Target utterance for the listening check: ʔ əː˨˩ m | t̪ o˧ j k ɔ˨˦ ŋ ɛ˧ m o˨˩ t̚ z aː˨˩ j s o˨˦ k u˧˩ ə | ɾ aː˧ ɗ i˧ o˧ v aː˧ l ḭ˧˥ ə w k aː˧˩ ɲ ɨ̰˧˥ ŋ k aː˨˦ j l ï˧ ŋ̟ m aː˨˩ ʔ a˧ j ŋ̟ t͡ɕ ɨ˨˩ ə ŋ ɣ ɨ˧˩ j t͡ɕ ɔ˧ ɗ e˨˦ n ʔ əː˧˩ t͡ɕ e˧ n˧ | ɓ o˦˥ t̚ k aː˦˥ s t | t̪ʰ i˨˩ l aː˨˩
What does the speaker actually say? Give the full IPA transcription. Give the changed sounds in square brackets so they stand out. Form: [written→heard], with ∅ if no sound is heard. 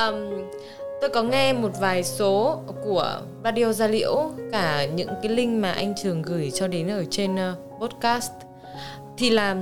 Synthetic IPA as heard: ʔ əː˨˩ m | t̪ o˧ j k ɔ˨˦ ŋ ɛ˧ m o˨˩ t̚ [z→v] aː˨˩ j s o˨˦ k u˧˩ ə | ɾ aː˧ ɗ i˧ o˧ [v→z] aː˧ l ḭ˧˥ ə w k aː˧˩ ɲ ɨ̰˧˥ ŋ k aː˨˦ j l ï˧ ŋ̟ m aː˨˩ ʔ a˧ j ŋ̟ t͡ɕ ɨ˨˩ ə ŋ ɣ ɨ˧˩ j t͡ɕ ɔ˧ ɗ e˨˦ n ʔ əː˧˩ t͡ɕ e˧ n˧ | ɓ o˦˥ t̚ k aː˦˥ s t | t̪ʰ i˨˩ l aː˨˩